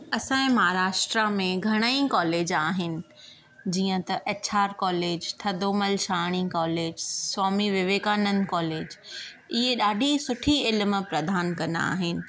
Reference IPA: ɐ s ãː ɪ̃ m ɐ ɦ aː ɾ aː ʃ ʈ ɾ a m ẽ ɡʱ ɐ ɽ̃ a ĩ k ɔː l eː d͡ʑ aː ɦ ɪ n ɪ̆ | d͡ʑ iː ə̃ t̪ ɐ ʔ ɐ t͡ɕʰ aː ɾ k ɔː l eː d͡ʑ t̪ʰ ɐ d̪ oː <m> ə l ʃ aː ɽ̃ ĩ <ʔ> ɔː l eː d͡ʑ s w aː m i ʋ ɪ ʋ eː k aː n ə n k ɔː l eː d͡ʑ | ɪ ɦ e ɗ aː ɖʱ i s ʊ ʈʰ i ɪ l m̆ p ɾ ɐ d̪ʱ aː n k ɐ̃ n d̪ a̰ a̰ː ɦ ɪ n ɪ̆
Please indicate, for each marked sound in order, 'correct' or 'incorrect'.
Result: correct, incorrect

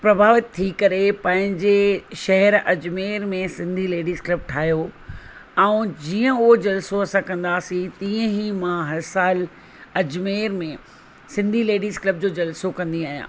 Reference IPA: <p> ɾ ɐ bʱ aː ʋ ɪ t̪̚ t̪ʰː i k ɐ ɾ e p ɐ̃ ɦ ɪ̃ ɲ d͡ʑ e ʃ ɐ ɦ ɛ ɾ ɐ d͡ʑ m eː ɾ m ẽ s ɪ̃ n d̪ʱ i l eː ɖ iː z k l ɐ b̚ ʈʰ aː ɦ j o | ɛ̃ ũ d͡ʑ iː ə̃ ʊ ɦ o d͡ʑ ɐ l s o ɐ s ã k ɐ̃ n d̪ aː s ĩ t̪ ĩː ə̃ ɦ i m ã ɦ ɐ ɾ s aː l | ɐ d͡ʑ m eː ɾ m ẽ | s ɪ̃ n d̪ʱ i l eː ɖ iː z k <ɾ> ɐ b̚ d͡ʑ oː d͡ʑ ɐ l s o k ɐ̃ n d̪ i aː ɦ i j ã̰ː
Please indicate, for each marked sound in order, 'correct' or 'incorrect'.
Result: correct, incorrect

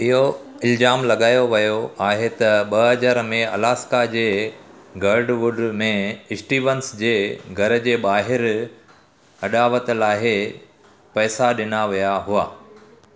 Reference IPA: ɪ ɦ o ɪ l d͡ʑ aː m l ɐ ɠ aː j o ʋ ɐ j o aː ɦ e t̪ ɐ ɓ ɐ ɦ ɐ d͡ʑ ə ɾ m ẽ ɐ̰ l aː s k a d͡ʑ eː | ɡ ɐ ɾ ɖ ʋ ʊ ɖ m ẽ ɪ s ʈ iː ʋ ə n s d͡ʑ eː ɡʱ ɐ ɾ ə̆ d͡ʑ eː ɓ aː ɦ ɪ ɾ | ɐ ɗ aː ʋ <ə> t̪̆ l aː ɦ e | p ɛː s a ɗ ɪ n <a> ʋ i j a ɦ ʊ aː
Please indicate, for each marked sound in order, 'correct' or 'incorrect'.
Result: correct, correct

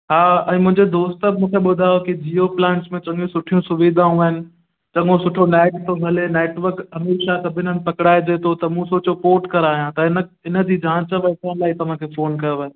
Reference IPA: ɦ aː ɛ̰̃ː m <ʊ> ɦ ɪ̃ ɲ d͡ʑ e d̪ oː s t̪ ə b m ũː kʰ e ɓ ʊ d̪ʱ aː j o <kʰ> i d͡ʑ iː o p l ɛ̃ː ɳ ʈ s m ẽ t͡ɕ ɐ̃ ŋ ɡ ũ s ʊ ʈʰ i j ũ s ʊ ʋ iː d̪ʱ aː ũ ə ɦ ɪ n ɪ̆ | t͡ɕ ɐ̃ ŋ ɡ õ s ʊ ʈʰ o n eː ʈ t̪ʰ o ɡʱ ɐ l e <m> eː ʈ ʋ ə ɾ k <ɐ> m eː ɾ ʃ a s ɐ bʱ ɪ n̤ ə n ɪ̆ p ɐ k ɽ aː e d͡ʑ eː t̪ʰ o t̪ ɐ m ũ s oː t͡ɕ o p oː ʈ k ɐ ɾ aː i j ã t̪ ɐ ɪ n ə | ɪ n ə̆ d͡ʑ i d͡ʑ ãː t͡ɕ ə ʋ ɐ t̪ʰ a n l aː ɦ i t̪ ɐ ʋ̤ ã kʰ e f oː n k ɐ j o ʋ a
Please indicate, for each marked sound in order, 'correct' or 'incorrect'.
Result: incorrect, incorrect, incorrect, correct

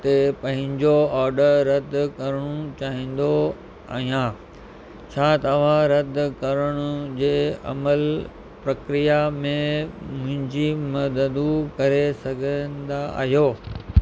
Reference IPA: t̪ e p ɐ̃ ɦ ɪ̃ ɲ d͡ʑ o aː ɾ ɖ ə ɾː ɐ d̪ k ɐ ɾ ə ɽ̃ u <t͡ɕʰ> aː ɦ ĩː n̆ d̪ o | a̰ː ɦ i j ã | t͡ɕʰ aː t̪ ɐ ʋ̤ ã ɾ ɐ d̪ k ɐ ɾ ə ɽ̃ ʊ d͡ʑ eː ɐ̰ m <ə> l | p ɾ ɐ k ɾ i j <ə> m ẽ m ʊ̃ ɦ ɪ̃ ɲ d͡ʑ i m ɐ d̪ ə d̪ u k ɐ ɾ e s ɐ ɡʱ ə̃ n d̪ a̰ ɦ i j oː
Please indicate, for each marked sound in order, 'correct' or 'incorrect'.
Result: incorrect, correct, incorrect

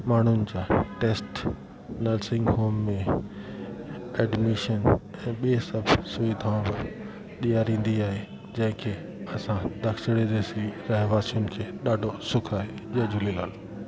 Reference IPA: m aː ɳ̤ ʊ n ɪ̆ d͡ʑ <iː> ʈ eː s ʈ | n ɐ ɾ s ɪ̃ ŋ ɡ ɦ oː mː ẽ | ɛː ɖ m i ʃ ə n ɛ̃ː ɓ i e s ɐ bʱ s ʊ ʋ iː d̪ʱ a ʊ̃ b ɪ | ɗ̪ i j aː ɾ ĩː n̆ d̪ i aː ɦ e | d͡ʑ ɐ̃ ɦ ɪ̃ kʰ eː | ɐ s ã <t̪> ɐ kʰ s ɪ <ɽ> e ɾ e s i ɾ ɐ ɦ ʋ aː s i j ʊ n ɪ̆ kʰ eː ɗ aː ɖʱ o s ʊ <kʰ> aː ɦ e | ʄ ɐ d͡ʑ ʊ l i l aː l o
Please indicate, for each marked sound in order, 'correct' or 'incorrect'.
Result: incorrect, incorrect, correct, correct

